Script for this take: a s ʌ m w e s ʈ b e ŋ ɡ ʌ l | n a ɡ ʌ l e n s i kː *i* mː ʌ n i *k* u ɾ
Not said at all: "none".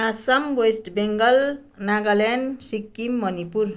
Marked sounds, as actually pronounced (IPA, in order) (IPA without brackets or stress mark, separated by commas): i, p